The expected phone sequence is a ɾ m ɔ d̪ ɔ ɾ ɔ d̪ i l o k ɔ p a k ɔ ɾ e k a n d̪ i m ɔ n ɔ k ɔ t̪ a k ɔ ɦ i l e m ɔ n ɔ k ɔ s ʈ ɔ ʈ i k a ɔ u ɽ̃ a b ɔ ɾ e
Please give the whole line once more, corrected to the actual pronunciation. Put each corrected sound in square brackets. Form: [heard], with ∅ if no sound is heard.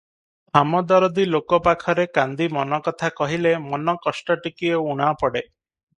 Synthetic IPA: a [∅] m ɔ d̪ ɔ ɾ ɔ d̪ i l o k ɔ p a [kʰ] ɔ ɾ e k a n d̪ i m ɔ n ɔ k ɔ [t̪ʰ] a k ɔ ɦ i l e m ɔ n ɔ k ɔ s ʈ ɔ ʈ i k [i] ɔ u ɽ̃ a [p] ɔ [ɽ] e